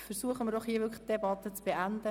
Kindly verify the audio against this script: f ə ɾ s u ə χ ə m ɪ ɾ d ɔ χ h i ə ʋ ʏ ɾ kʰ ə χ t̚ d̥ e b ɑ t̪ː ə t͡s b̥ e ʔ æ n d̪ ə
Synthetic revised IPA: f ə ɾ s u ə χ ə m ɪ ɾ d ɔ χ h i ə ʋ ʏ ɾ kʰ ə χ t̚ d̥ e b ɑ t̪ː ə t͡s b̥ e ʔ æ n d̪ ə